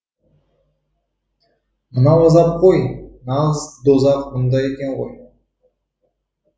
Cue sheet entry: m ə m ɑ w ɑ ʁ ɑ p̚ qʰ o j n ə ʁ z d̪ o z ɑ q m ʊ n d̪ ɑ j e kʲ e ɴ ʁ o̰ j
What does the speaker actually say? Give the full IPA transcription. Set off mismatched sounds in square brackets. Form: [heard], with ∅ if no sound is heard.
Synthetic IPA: m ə [n] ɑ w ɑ [z] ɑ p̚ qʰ o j n [ɑ] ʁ z d̪ o z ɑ q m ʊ n d̪ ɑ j e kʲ e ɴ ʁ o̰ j